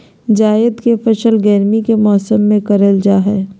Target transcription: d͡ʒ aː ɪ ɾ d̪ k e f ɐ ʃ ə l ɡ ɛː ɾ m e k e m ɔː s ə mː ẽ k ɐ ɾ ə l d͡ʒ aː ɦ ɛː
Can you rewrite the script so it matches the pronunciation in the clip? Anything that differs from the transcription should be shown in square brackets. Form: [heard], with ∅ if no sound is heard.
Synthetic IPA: d͡ʒ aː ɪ [∅] d̪ k e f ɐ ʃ ə l ɡ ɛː ɾ m [i] k e m ɔː s ə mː ẽ k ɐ ɾ ə l d͡ʒ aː ɦ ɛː